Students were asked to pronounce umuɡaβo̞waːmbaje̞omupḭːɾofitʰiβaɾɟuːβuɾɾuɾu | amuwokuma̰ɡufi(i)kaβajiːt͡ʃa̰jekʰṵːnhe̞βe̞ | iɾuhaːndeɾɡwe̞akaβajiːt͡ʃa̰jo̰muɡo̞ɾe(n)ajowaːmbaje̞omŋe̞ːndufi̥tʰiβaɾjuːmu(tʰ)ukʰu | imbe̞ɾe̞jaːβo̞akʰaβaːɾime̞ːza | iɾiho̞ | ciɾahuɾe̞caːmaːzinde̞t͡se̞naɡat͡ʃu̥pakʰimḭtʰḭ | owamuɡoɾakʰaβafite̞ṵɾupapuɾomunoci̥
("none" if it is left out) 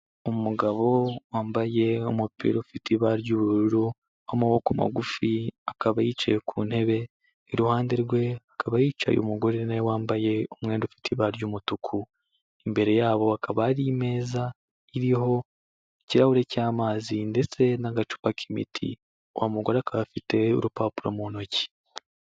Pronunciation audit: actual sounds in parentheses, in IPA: a, n, t

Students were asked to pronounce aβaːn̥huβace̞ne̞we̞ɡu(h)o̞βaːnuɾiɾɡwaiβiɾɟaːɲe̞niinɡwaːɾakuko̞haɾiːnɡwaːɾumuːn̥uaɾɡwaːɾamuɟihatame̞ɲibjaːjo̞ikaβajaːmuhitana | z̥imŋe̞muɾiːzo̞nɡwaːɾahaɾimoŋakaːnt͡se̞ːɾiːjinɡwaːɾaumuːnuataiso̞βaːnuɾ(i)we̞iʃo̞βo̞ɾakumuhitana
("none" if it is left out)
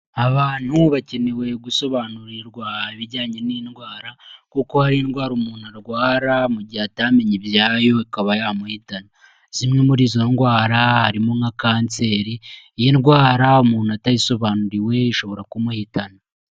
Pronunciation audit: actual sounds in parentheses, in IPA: s, i

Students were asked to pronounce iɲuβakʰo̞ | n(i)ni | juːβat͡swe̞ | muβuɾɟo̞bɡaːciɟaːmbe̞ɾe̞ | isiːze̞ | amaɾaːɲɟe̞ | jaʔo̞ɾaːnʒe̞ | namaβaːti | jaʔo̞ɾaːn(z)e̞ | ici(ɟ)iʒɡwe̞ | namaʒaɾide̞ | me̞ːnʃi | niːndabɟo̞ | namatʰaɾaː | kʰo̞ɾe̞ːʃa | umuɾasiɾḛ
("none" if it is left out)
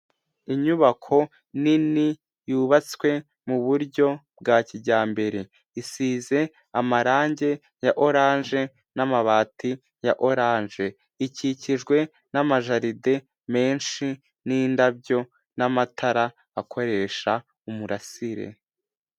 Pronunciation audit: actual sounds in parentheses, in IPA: i, ʒ, c

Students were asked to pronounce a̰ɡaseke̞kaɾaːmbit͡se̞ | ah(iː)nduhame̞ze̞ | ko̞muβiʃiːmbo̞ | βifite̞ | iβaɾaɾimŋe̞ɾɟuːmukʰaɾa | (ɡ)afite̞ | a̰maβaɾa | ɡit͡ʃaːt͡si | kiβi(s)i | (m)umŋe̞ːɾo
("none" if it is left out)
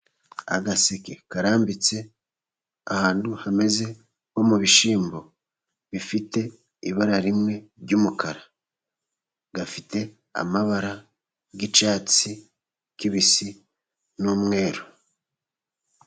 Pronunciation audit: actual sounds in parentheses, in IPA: aː, ɡ, s, n

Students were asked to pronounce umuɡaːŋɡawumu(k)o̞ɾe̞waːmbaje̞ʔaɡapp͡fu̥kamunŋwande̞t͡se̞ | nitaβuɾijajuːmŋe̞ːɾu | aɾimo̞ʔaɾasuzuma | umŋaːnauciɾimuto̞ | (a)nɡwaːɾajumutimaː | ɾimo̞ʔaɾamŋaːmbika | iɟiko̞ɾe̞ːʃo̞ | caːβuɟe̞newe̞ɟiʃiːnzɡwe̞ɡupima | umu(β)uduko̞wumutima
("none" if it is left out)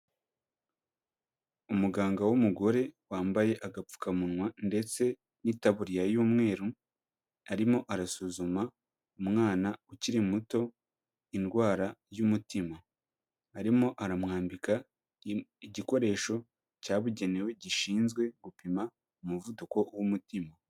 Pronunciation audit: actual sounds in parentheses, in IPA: ɡ, i, v

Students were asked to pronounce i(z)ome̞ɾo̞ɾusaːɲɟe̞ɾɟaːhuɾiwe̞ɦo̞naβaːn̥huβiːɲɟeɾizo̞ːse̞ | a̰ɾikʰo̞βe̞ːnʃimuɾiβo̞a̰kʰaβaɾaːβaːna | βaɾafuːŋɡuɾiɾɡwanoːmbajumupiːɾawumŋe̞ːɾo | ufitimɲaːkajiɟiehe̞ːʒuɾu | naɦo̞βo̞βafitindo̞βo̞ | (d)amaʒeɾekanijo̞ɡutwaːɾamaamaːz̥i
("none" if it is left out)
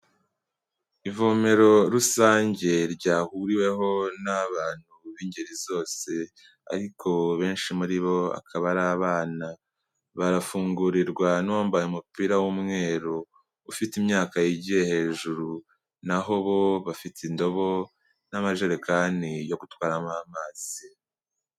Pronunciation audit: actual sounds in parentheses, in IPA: v, n

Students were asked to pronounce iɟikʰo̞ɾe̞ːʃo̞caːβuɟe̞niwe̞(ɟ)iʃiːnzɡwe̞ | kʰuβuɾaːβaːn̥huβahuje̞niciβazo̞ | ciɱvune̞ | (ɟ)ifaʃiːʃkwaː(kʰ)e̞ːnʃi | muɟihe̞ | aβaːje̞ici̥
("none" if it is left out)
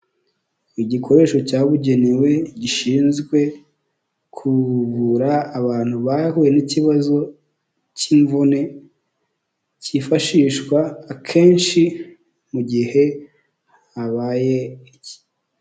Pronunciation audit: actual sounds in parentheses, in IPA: ɟ, c, kʰ

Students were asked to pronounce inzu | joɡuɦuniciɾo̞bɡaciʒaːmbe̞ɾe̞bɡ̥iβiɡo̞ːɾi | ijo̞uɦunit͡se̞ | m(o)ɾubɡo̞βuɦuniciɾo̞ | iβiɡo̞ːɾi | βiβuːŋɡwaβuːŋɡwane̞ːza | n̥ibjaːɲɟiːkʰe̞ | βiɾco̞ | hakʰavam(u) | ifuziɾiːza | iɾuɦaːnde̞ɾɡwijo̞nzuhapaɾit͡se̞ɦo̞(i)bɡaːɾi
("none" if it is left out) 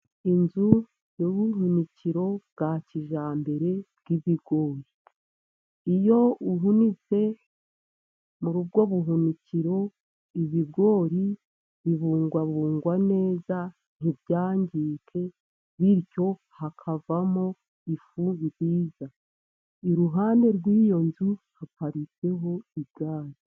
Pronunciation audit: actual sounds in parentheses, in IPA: u, o, i

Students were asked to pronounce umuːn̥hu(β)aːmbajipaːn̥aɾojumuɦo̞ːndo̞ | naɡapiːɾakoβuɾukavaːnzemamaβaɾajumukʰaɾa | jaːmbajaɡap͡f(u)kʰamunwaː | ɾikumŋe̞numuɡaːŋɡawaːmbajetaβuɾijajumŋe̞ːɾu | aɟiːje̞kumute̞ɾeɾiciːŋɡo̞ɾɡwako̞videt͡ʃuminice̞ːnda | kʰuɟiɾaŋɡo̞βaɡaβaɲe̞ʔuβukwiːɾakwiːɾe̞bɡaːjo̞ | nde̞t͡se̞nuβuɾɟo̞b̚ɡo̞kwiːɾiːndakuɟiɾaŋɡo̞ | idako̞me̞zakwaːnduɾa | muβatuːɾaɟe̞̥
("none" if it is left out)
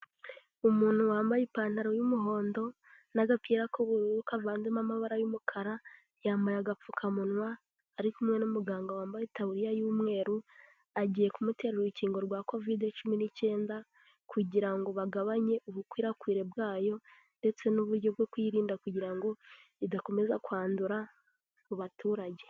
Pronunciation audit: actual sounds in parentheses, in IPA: w, u

